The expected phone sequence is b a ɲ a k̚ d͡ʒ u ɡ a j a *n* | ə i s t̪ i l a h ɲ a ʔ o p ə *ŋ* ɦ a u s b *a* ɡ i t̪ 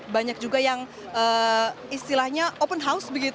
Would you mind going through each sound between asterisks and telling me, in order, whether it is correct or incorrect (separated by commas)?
incorrect, incorrect, incorrect